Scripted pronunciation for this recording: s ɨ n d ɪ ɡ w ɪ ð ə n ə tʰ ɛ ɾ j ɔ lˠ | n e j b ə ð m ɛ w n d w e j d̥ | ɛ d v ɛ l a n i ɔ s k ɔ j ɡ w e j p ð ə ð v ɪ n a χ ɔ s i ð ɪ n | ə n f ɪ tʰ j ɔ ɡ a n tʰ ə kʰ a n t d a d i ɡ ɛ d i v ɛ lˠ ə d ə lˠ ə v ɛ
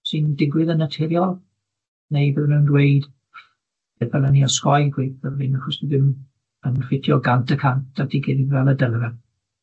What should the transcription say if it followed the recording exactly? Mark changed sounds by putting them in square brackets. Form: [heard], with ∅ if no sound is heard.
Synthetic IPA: s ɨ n d ɪ ɡ w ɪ ð ə n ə tʰ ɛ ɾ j ɔ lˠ | n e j b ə ð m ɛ w n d w e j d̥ | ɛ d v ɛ l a n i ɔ s k ɔ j ɡ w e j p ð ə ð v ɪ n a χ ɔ s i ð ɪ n | ə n f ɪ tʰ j ɔ ɡ a n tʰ ə kʰ a n t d a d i ɡ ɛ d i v ɛ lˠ ə d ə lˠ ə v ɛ